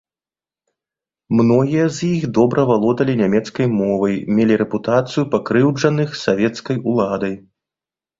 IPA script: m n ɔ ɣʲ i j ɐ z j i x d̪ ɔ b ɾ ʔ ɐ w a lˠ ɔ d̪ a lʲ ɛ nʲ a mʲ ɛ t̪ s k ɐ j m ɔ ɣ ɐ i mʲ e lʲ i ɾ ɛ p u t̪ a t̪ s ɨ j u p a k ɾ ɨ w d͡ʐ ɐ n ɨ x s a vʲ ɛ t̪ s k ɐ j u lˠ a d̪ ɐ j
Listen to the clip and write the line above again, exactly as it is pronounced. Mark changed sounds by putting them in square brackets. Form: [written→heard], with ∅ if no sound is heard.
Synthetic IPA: m n ɔ ɣʲ i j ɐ z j i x d̪ ɔ b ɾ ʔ ɐ [w→v] a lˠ ɔ d̪ [a→ɐ] lʲ [ɛ→i] nʲ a mʲ ɛ t̪ s k ɐ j m ɔ [ɣ→v] ɐ [i→j] mʲ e lʲ i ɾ ɛ p u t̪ a t̪ s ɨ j u p a k ɾ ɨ w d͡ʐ ɐ n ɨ x s a vʲ ɛ t̪ s k ɐ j u lˠ a d̪ ɐ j